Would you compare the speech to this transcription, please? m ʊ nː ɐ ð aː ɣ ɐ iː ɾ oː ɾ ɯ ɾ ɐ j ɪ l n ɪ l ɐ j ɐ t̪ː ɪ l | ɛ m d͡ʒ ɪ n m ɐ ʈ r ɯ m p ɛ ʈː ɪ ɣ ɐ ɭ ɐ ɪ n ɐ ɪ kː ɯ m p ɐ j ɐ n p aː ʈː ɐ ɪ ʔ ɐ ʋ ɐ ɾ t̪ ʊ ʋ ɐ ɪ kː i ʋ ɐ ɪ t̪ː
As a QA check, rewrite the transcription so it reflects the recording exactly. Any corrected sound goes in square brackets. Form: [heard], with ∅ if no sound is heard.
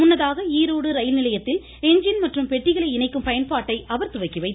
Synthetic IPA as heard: m ʊ nː ɐ ð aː ɣ ɐ iː ɾ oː [ɽ] ɯ ɾ ɐ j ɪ l n ɪ l ɐ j ɐ t̪ː ɪ l | ɛ [ɲ] d͡ʒ ɪ n m ɐ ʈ r ɯ m p ɛ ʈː ɪ ɣ ɐ ɭ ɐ ɪ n ɐ ɪ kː ɯ m p ɐ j ɐ n p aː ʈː ɐ ɪ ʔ ɐ ʋ ɐ ɾ t̪ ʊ ʋ ɐ ɪ kː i ʋ ɐ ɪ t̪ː